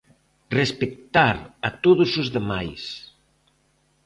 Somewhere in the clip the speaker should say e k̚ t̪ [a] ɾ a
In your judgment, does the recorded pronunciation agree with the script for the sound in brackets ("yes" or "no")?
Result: yes